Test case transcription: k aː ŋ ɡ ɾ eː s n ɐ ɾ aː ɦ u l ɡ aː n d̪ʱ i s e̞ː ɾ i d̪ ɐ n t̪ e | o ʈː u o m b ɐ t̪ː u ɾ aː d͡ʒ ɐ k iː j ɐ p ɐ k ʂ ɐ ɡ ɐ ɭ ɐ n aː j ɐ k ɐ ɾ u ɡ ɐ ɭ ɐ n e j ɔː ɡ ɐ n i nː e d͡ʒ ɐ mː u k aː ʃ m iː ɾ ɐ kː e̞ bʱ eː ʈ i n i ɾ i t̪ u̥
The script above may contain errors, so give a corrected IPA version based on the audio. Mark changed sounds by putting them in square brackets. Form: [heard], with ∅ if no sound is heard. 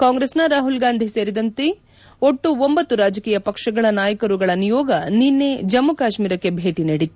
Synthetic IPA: k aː ŋ ɡ ɾ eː s n ɐ ɾ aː ɦ u l ɡ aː n d̪ʱ i s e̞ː ɾ i d̪ ɐ n t̪ e | o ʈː u o m b ɐ t̪ː u ɾ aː d͡ʒ ɐ k iː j ɐ p ɐ k ʂ ɐ ɡ ɐ ɭ ɐ n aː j ɐ k ɐ ɾ u ɡ ɐ ɭ ɐ n [i] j ɔː ɡ ɐ n i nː e d͡ʒ ɐ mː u k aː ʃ m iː ɾ ɐ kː e̞ bʱ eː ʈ i n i [ɽ] i t̪ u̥